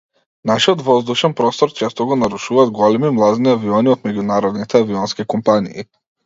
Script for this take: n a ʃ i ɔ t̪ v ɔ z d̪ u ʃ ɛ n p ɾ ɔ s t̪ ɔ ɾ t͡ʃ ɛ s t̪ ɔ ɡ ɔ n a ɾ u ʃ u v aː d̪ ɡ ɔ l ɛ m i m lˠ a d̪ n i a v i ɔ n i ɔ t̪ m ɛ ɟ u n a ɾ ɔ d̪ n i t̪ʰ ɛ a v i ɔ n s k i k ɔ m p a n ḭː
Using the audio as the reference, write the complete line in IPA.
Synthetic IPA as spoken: n a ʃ i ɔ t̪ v ɔ z d̪ u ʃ ɛ n p ɾ ɔ s t̪ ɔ ɾ t͡ʃ ɛ s t̪ ɔ ɡ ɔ n a ɾ u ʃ u v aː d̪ ɡ ɔ l ɛ m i m lˠ a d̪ n i a v i ɔ n i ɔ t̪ m ɛ ɟ u n a ɾ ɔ d̪ n i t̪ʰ ɛ a v i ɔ n s k i k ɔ m p a n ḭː

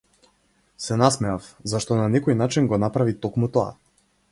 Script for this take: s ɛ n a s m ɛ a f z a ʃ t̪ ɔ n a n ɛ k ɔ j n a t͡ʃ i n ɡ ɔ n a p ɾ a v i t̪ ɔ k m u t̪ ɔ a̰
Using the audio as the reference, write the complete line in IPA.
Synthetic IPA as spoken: s ɛ n a s m ɛ a f z a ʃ t̪ ɔ n a n ɛ k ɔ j n a t͡ʃ i n ɡ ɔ n a p ɾ a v i t̪ ɔ k m u t̪ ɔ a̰

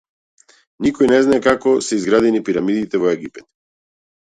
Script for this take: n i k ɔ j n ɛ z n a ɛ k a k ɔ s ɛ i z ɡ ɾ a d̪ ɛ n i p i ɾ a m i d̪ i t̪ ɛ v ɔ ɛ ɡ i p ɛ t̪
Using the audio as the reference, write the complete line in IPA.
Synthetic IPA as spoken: n i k ɔ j n ɛ z n a ɛ k a k ɔ s ɛ i z ɡ ɾ a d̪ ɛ n i p i ɾ a m i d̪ i t̪ ɛ v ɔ ɛ ɡ i p ɛ t̪

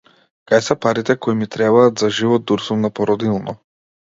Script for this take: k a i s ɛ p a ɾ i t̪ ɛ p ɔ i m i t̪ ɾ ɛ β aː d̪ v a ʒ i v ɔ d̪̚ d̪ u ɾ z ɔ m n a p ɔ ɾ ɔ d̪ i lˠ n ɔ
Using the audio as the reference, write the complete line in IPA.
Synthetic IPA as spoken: k a j s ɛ p a ɾ i t̪ ɛ k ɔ i m i t̪ ɾ ɛ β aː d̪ z a ʒ i v ɔ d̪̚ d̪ u ɾ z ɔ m n a p ɔ ɾ ɔ d̪ i lˠ n ɔ

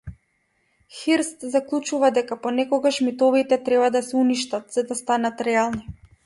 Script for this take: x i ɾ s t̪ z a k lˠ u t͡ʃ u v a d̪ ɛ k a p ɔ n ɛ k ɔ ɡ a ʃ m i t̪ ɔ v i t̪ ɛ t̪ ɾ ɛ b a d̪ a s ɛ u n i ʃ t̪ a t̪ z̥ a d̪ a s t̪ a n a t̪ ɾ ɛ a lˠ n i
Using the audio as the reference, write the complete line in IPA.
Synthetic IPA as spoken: x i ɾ s t̪ z a k lˠ u t͡ʃ u v a d̪ ɛ k a p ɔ n ɛ k ɔ ɡ a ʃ m i t̪ ɔ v i t̪ ɛ t̪ ɾ ɛ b a d̪ a s ɛ u n i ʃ t̪ a t̪ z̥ a d̪ a s t̪ a n a t̪ ɾ ɛ a lˠ n i

